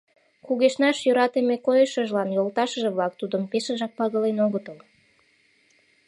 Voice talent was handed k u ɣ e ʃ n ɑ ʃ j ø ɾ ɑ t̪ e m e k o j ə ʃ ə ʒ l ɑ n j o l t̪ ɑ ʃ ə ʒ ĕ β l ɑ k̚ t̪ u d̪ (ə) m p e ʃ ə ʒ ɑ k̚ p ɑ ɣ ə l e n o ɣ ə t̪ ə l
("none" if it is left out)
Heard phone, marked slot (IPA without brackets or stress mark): ə